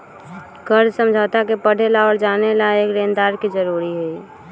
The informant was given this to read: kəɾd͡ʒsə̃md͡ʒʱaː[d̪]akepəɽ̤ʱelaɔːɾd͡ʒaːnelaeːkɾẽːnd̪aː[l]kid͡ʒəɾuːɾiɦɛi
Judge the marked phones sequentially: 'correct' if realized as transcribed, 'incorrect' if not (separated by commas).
incorrect, incorrect